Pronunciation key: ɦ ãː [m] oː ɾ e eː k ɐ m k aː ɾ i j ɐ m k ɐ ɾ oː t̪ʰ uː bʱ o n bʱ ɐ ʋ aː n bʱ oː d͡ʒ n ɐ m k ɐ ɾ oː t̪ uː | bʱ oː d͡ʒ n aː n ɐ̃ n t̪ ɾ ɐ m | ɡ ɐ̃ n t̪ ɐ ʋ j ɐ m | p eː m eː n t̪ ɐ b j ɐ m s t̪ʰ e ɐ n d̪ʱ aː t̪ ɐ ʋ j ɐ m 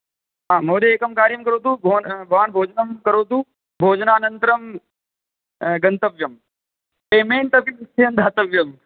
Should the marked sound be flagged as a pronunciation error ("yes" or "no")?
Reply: no